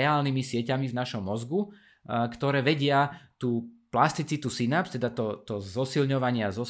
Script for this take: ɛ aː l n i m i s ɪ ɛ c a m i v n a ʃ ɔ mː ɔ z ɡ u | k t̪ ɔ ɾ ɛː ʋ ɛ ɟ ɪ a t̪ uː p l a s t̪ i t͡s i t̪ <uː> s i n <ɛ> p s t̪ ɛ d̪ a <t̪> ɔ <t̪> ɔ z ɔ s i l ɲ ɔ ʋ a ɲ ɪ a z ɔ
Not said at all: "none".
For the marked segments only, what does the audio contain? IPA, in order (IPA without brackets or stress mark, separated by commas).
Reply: u, a, t̪, t̪